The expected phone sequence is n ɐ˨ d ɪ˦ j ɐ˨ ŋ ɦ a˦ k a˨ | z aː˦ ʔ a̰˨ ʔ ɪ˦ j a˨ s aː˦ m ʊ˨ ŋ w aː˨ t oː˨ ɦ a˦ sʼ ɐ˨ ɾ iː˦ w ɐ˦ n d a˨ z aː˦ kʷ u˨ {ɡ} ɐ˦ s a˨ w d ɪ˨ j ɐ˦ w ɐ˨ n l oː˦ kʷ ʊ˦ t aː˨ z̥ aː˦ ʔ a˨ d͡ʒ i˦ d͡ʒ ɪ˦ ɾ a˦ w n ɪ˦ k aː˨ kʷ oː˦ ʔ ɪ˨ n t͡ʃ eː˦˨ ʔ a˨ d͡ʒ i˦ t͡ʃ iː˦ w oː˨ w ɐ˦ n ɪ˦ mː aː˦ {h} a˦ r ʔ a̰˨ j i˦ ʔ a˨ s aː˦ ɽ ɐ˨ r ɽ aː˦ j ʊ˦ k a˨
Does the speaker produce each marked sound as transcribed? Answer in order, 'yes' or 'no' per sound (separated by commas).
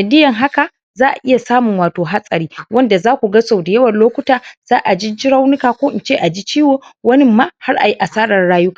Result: yes, yes